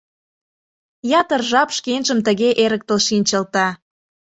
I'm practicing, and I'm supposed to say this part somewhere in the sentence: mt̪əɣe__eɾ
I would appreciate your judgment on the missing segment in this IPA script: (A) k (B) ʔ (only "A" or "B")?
B